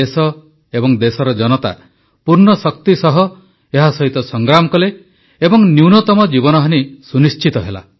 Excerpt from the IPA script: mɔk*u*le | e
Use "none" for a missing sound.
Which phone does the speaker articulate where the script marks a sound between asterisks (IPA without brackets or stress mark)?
ɔ